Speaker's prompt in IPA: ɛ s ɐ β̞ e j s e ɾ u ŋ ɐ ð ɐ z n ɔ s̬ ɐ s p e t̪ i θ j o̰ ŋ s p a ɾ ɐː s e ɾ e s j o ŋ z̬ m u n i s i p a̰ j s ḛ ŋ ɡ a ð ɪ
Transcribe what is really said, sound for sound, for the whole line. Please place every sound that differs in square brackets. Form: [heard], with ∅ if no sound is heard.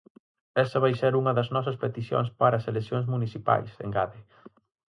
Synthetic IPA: ɛ s ɐ β̞ [a] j s e ɾ u ŋ ɐ ð ɐ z n ɔ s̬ ɐ s p e t̪ i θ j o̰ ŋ s p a ɾ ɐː s e [l] e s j o ŋ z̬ m u n i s i p a̰ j s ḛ ŋ ɡ a ð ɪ